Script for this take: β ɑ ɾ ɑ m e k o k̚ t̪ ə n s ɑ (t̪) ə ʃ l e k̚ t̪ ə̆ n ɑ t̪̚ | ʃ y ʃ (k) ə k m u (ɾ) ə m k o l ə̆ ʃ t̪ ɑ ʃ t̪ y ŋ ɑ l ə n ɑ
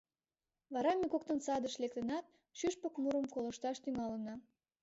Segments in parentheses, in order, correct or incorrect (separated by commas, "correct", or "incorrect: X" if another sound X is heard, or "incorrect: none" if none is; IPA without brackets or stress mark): incorrect: d̪, incorrect: p, correct